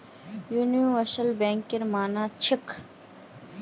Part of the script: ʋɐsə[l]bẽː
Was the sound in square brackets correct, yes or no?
yes